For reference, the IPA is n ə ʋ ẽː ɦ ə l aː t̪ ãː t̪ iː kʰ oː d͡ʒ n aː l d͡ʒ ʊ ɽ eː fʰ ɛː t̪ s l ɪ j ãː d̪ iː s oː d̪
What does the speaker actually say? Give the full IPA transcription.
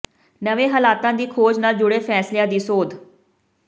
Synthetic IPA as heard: n ə ʋ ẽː ɦ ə l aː t̪ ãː d̪ iː kʰ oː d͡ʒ n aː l d͡ʒ ʊ ɽ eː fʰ ɛː s l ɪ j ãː d̪ iː s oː d̪